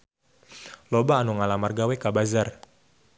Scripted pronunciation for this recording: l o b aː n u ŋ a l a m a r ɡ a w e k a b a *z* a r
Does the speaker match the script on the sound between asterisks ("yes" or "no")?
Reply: yes